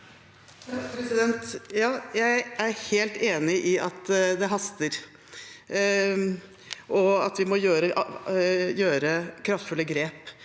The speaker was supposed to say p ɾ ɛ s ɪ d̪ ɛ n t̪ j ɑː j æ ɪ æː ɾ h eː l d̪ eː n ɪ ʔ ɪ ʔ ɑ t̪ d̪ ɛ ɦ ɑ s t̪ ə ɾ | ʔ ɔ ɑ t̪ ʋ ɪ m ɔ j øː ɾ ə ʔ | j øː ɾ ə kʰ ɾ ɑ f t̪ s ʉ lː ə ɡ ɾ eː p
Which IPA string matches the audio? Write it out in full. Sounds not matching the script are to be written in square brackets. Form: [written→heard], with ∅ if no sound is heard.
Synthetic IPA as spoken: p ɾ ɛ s ɪ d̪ ɛ n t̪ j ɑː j æ ɪ [æː→æ] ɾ h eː l [d̪→t̪] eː n ɪ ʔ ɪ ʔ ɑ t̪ d̪ ɛ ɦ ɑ s t̪ ə ɾ | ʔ ɔ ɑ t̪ ʋ ɪ m ɔ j øː ɾ ə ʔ | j øː ɾ ə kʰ ɾ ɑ f t̪ [s→f] ʉ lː ə ɡ ɾ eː p